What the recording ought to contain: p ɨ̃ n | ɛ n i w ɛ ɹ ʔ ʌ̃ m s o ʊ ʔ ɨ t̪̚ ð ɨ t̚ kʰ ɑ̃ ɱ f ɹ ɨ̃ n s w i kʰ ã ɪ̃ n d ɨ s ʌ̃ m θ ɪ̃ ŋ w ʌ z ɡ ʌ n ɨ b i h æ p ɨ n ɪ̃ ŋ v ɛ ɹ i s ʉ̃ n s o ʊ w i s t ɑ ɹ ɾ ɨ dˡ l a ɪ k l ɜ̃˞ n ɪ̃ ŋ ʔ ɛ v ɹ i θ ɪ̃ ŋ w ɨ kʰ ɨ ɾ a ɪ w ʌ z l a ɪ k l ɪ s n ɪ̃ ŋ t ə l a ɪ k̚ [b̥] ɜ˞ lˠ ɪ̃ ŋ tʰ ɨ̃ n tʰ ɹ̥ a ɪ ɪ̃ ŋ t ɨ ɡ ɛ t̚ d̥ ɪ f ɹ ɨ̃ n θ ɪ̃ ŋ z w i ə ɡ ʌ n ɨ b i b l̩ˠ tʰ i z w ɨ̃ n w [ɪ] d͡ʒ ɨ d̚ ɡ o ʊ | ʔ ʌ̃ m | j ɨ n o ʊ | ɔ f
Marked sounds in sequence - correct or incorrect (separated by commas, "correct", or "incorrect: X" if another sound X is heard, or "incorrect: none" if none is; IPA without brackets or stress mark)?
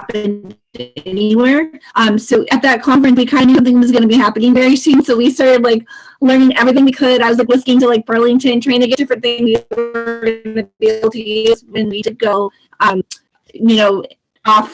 correct, incorrect: i